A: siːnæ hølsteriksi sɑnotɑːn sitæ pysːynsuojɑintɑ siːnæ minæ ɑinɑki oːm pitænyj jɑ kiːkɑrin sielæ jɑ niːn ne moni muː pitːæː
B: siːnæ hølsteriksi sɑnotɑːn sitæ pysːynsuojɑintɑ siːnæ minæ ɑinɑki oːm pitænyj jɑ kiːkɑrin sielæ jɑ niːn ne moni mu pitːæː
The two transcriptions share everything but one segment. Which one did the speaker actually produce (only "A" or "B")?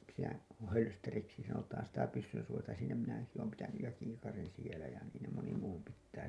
A